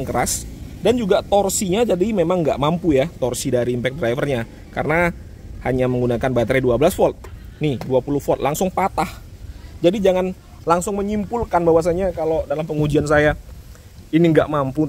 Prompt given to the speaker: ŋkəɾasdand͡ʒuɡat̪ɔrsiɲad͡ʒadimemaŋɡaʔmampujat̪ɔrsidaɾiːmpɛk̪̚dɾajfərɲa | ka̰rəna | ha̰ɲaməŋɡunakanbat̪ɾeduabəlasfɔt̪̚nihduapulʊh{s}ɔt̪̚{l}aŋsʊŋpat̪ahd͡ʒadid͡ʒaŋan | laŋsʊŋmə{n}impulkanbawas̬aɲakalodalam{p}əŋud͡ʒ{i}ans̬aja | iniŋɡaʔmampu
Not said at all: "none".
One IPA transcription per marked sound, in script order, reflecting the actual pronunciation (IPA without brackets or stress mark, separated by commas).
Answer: f, l, ɲ, p, i